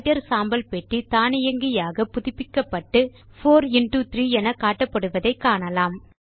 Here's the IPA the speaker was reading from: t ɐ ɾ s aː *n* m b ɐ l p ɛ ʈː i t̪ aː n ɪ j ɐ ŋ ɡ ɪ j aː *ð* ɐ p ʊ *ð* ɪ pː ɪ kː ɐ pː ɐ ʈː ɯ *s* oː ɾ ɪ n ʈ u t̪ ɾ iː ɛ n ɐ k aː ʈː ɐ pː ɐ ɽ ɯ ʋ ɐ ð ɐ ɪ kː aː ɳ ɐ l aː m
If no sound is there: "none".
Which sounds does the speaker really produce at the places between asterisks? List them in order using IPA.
none, ɣ, ð, f

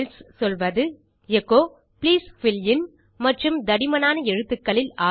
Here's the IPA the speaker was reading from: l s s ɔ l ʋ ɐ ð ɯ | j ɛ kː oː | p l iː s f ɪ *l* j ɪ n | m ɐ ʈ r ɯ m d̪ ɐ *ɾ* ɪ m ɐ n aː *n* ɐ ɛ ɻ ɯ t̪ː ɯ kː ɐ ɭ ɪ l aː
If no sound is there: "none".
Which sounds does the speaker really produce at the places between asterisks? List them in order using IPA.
l, ɽ, n

